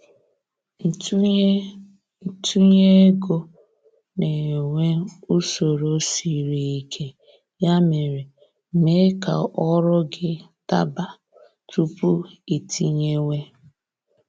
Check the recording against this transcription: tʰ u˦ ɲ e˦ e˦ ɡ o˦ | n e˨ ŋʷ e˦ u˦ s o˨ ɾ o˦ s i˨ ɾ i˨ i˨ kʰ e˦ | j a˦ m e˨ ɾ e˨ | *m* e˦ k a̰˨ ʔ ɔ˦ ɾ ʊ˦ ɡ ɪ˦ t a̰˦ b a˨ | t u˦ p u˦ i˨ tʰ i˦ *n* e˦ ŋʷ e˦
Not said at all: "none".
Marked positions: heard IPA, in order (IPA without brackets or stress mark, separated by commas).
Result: m, ɲ